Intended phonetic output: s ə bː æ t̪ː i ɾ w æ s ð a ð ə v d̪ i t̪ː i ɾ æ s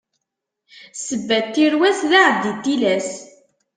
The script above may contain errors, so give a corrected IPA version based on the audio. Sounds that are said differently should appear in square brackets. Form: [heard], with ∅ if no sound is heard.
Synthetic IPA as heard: s ə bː æ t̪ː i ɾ w æ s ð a [ʕ] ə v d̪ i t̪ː i [l] æ s